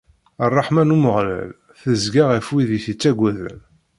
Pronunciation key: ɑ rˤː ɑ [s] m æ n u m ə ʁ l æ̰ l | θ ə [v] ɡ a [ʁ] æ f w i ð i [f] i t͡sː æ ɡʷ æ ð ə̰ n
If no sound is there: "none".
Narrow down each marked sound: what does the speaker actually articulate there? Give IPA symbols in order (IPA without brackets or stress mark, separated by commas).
ħ, z, ʁ, θ